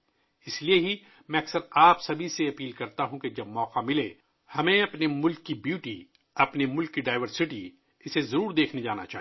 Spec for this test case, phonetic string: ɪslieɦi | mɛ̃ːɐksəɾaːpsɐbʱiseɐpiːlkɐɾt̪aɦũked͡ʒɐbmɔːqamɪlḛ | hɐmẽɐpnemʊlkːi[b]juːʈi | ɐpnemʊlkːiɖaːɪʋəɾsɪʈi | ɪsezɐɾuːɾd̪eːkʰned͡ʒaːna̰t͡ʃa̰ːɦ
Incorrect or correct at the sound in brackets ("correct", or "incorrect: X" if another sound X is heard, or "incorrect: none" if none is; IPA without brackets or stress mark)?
correct